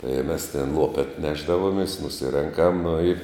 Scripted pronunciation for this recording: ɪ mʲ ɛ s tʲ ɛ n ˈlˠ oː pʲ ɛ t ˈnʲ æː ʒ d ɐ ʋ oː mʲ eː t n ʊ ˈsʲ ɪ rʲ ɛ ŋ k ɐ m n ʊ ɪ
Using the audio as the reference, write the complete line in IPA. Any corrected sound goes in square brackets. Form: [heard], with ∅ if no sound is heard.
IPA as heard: ɪ mʲ ɛ s tʲ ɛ n ˈlˠ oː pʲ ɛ t ˈnʲ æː ʒ d ɐ ʋ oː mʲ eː [s] n ʊ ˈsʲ ɪ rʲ ɛ ŋ k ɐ m n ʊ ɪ